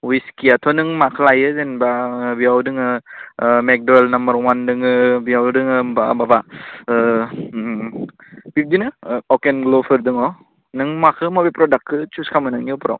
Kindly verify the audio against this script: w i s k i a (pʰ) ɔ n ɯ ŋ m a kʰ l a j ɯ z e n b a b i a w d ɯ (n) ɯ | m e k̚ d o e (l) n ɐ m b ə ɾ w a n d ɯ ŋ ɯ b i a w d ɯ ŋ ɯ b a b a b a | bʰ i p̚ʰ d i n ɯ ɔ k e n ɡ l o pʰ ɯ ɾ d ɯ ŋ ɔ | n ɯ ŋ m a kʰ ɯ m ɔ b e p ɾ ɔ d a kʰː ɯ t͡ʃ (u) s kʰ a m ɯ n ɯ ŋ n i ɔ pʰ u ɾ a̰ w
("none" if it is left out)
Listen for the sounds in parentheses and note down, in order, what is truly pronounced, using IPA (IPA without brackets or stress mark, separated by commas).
tʰ, ŋ, l, u